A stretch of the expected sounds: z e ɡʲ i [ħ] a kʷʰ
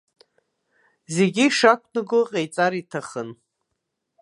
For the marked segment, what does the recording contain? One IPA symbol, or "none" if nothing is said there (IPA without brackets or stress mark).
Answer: ʂ